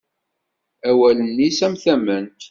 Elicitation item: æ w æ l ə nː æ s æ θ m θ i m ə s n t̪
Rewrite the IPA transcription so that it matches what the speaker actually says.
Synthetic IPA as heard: æ w æ l ə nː i s æ m θ æ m ə n t̪